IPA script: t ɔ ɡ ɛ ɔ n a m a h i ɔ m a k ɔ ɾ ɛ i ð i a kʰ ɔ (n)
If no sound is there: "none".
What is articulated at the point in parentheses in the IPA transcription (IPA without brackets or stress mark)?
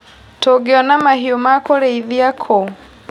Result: none